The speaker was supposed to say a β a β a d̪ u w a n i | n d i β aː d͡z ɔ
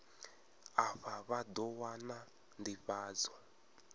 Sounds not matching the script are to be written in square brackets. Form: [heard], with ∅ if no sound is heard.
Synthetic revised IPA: a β a β a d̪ [ɔ] w a n [a] | n d i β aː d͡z ɔ